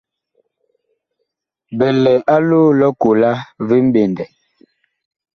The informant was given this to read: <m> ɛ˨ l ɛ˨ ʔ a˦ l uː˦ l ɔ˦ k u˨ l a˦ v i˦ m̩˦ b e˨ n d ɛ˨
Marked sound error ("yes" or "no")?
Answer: yes